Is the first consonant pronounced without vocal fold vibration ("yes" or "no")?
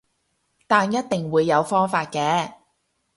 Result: yes